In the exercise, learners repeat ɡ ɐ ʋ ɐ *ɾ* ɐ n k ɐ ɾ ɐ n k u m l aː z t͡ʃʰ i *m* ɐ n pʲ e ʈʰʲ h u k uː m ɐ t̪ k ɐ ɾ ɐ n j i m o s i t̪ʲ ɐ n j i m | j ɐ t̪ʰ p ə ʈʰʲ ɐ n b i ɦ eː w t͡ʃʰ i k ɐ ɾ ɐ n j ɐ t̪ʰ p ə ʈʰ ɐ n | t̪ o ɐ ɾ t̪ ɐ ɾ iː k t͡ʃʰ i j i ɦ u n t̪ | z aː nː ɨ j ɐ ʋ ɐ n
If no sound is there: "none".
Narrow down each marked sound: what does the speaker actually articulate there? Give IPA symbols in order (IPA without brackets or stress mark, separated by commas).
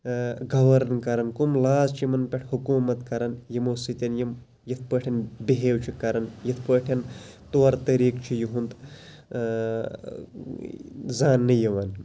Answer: ɾ, m